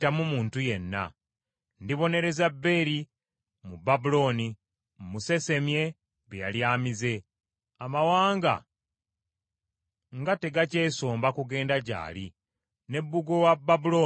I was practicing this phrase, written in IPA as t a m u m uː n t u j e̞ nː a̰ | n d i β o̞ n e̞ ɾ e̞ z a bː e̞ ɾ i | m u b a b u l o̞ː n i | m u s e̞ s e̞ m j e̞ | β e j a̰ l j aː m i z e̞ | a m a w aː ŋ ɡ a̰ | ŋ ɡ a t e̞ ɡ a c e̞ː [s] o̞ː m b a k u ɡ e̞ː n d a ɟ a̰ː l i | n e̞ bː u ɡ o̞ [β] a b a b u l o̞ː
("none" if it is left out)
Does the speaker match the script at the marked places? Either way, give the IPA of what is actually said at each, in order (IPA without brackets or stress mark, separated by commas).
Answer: s, w